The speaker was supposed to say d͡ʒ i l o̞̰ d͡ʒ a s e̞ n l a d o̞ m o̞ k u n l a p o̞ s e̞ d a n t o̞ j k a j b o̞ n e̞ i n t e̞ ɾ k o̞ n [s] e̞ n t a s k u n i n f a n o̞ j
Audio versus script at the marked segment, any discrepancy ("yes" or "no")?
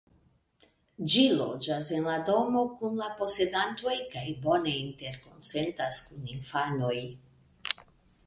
no